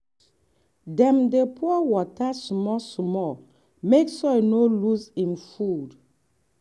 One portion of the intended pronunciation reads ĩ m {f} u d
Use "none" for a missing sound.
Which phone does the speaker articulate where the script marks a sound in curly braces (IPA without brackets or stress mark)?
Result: f